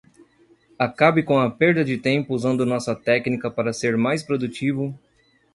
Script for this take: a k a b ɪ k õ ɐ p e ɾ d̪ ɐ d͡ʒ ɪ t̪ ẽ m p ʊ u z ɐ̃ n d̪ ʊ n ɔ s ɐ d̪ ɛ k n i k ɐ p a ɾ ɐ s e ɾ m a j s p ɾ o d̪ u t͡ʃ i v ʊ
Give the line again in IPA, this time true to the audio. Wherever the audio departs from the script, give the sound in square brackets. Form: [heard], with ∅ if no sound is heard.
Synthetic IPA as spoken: a k a b ɪ k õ ɐ p e ɾ d̪ ɐ d͡ʒ ɪ t̪ ẽ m p ʊ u z ɐ̃ n d̪ ʊ n ɔ s ɐ [t̪] ɛ k n i k ɐ p a ɾ ɐ s e ɾ m a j s p ɾ o d̪ u t͡ʃ i v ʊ